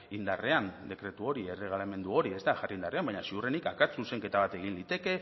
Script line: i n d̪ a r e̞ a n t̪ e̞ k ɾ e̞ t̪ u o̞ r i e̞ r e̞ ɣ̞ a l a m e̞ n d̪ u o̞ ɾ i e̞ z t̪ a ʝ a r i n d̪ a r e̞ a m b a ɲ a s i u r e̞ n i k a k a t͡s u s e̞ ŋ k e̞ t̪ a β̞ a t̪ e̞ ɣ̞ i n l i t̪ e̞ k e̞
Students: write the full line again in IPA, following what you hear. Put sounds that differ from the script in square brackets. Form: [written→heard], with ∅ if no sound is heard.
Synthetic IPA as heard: i n d̪ a r e̞ a n [t̪→d̪] e̞ k ɾ e̞ t̪ u o̞ [r→ɾ] i e̞ r e̞ ɣ̞ a l a m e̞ n d̪ u o̞ ɾ i e̞ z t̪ a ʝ a r i n d̪ a r e̞ a m b a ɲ a s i u r e̞ n i k a k a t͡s u s e̞ ŋ k e̞ t̪ a β̞ a t̪ e̞ ɣ̞ i n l i t̪ e̞ k e̞